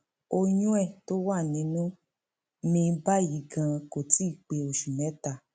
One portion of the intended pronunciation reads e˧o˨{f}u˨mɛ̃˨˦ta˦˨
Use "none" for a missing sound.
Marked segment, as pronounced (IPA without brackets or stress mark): ʃ